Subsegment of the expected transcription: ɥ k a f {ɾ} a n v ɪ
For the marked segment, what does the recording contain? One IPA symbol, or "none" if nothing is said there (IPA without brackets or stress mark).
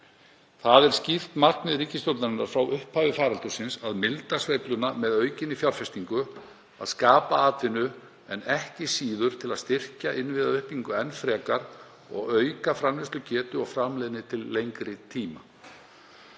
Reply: ɾ